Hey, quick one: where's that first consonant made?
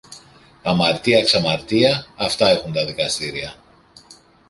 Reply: lips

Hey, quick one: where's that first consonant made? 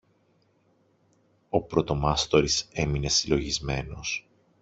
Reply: lips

